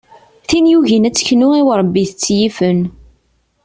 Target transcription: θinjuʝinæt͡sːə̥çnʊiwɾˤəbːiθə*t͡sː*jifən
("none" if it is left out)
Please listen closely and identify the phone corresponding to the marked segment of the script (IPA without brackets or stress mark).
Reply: t͡sː